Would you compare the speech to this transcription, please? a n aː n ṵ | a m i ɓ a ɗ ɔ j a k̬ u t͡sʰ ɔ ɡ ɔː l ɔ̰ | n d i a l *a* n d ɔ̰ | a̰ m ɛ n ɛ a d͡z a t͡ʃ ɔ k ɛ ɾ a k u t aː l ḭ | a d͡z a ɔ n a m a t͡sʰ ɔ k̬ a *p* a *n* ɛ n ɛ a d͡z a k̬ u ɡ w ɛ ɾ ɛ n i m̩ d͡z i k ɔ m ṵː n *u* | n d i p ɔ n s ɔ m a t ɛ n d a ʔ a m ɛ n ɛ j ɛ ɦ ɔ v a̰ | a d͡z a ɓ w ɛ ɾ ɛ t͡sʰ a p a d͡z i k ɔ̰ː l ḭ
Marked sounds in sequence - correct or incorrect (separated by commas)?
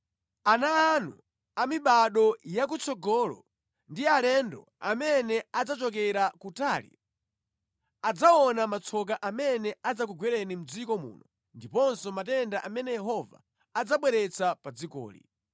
incorrect, incorrect, incorrect, incorrect